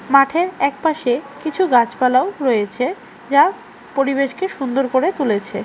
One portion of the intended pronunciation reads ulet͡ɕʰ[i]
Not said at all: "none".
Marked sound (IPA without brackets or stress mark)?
e